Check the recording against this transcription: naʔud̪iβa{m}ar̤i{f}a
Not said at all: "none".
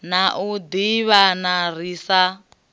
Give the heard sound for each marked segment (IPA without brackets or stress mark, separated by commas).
n, s